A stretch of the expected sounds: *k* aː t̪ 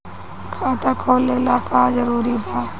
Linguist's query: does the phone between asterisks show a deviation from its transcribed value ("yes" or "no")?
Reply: yes